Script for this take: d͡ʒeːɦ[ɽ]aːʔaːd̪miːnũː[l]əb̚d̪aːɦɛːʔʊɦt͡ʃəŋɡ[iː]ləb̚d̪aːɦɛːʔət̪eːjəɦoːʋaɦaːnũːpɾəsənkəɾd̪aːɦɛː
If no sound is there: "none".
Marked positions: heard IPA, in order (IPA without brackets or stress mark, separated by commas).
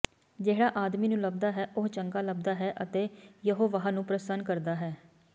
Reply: ɽ, l, aː